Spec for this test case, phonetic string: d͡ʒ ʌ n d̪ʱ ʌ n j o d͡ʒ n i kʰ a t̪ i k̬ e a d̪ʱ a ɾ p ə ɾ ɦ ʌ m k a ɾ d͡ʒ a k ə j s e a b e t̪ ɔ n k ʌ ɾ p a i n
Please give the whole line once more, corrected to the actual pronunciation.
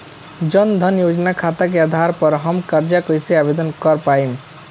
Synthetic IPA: d͡ʒ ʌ n d̪ʱ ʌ n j o d͡ʒ n a kʰ a t̪ a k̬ e a d̪ʱ a ɾ p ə ɾ ɦ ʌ m k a ɾ d͡ʒ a k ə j s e a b e d̪ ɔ n k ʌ ɾ p a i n

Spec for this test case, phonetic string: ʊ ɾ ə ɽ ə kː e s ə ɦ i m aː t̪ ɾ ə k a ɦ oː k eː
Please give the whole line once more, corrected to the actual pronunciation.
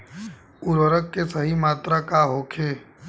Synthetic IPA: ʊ ɾ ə ɾ ə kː e s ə ɦ i m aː t̪ ɾ a k a ɦ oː kʰ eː

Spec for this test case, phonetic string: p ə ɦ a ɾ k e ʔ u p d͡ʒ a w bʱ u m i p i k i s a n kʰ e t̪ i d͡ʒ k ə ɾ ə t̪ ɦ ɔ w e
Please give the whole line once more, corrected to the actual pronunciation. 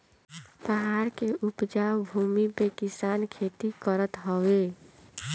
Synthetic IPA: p ə ɦ a ɾ k e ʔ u p d͡ʒ a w bʱ u m i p e k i s a n kʰ e t̪ i k ə ɾ ə t̪ ɦ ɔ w e

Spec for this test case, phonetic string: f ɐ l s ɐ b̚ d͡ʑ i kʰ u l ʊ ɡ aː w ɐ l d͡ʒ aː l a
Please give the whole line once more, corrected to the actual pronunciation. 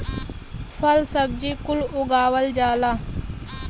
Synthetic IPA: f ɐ l s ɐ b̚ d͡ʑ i k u l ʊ ɡ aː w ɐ l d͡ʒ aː l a

